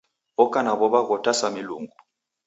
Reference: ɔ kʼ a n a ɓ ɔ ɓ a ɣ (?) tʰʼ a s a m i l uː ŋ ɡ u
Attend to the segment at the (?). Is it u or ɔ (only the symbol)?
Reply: ɔ